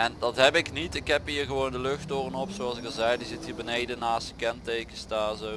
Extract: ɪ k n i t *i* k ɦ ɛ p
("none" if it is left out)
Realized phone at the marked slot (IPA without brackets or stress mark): ɪ